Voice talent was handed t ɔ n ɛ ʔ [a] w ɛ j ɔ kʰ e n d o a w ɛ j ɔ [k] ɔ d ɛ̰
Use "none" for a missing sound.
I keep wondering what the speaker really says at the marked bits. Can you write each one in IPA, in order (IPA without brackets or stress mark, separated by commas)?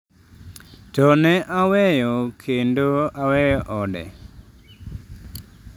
a, ʔ